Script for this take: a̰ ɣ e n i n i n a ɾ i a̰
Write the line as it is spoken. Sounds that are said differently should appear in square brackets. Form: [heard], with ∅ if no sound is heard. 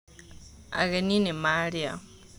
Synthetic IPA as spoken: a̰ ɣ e n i n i [m] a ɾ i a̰